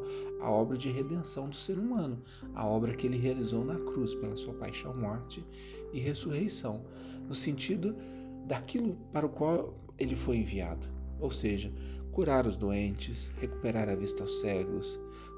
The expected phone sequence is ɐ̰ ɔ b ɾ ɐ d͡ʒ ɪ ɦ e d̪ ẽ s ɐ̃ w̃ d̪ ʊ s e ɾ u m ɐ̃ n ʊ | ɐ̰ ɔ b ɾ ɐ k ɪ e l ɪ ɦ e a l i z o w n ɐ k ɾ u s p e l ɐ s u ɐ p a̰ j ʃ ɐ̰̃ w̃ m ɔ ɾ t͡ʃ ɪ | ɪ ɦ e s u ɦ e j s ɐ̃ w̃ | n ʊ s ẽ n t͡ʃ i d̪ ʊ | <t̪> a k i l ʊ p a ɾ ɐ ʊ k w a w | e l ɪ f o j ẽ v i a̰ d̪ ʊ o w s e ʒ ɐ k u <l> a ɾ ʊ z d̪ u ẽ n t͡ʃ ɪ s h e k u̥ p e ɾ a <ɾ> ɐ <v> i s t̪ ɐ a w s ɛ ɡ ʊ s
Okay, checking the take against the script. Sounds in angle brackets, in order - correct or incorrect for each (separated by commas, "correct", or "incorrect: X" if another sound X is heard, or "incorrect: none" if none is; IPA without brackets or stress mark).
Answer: incorrect: d̪, incorrect: ɾ, correct, correct